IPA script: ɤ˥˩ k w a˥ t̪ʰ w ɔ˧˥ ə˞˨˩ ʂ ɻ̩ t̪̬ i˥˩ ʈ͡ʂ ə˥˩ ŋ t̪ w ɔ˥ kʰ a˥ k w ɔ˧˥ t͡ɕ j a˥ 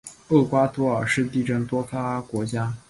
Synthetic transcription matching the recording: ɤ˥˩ k w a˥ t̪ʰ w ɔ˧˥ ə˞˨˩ ʂ ɻ̩ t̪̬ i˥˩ ʈ͡ʂ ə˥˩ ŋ t̪ w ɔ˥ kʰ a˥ k w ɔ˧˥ t͡ɕ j a˥